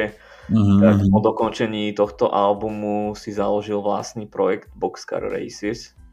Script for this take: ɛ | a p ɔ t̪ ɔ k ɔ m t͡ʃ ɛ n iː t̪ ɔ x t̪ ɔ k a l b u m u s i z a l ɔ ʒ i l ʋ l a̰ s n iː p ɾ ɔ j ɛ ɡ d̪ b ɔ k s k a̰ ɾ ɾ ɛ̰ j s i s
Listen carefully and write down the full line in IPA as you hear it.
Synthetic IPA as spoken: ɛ | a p ɔ d̪ ɔ k ɔ n t͡ʃ ɛ ɲ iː t̪ ɔ x t̪ ɔ ʔ a l b u m u s i z a l ɔ ʒ i l ʋ l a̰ s n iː p ɾ ɔ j ɛ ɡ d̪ b ɔ k s k a̰ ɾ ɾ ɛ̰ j s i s